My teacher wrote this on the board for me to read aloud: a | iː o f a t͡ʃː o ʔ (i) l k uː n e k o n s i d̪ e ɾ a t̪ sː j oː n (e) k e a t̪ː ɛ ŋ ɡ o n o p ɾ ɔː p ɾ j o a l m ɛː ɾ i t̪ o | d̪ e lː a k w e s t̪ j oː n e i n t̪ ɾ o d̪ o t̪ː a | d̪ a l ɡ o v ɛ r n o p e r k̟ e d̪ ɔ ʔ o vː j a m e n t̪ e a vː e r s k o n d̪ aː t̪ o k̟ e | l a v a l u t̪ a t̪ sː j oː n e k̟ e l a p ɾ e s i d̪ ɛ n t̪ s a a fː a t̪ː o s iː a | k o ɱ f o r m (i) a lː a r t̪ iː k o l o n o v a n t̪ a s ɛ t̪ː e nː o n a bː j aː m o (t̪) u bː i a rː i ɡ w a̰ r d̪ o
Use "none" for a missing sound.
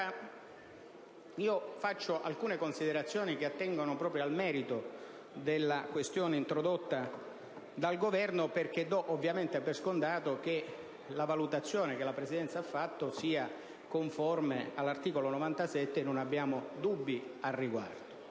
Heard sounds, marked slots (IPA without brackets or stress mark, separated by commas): a, i, e, d̪